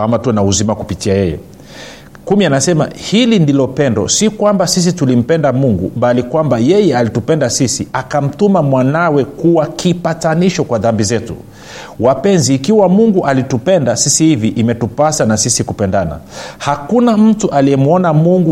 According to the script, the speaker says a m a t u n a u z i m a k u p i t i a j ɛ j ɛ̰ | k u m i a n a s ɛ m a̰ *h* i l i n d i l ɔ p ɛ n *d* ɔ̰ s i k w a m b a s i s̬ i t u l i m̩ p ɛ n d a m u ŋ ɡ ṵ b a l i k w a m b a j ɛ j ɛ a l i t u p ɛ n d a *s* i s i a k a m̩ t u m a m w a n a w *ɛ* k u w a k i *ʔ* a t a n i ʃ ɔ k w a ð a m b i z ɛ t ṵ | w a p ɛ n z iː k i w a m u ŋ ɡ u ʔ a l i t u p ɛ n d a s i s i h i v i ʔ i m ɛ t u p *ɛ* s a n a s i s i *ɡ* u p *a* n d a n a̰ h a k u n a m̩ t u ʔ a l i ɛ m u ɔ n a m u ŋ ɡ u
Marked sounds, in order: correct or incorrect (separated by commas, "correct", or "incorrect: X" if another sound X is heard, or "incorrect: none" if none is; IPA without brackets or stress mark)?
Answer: correct, correct, correct, correct, incorrect: p, incorrect: a, incorrect: k, incorrect: ɛ